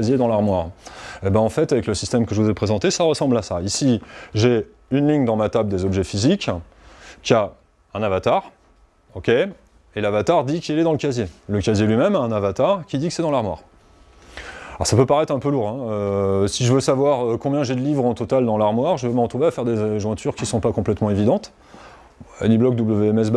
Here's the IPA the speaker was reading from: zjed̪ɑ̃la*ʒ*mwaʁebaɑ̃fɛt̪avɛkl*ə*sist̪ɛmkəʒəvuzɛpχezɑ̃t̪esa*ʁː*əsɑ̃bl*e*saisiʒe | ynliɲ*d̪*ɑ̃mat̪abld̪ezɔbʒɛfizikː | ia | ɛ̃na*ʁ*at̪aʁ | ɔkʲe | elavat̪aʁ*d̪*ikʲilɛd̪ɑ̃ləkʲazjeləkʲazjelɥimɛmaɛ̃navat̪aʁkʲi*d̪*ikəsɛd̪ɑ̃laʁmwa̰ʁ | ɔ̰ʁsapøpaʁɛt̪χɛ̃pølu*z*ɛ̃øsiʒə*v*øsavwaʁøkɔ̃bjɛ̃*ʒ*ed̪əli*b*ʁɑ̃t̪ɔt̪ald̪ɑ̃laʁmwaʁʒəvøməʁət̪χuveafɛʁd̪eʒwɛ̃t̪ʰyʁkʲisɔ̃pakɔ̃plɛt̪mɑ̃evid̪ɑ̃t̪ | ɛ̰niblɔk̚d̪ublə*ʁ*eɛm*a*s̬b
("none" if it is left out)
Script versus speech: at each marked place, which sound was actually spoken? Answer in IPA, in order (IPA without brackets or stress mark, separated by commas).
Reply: ʁ, ə, ʁ, a, d̪, v, d̪, d̪, ʁ, v, ʒ, v, v, ɛ